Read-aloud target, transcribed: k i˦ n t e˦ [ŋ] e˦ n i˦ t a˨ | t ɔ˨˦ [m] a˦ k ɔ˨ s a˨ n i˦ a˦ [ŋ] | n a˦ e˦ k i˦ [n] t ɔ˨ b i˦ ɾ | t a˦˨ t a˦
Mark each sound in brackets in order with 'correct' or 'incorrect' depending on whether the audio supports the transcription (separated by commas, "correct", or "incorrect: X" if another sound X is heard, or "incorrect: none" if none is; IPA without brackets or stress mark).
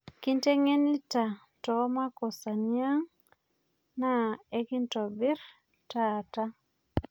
correct, correct, correct, correct